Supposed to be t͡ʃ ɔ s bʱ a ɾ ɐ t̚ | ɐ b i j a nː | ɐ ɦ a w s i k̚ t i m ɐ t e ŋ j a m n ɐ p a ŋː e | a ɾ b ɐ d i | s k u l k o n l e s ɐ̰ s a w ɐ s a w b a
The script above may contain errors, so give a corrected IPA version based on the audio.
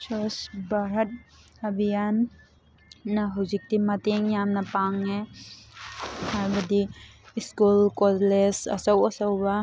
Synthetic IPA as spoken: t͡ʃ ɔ s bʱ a ɾ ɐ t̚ | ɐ b i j a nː | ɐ ɦ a w z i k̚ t i m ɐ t e ŋ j a m n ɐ p a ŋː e | a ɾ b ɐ d i | s k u l k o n l e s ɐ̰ s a w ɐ s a w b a